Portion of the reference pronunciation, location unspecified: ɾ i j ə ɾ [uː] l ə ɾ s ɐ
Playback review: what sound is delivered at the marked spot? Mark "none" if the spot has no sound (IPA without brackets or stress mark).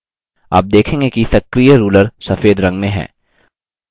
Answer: uː